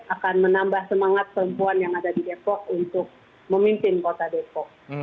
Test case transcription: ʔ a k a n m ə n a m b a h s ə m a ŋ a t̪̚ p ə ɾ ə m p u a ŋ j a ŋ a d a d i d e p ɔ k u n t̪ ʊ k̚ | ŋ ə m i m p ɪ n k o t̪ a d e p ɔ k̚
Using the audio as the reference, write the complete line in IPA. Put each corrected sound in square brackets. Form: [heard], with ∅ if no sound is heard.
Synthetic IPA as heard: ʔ a k a n m ə n a m b a h s ə m a ŋ a t̪̚ p ə ɾ ə m p u a [n] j a ŋ a d a d i d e p ɔ k u n t̪ ʊ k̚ | [m] ə m i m p ɪ n k o t̪ a d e p ɔ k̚